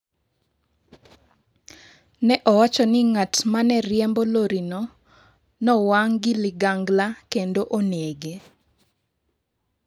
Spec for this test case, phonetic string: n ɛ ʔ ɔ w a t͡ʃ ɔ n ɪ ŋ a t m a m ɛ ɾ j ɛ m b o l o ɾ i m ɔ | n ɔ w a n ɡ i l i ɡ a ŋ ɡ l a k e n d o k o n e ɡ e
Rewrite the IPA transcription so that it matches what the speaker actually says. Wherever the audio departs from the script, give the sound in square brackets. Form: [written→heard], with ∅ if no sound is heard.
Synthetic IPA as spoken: n ɛ ʔ ɔ w a t͡ʃ ɔ n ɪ ŋ a t m a [m→n] ɛ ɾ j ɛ m b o l o ɾ i [m→n] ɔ | n ɔ w a [n→ŋ] ɡ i l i ɡ a ŋ ɡ l a k e n d o [k→ʔ] o n e ɡ e